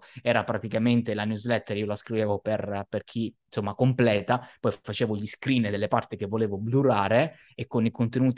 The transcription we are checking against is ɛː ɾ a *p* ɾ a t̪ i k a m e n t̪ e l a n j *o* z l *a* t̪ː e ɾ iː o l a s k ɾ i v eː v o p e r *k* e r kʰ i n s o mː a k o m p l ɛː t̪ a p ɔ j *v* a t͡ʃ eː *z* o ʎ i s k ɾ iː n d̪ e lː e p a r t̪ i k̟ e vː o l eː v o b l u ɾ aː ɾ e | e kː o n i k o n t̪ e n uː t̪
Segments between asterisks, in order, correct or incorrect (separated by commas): correct, incorrect, incorrect, incorrect, incorrect, incorrect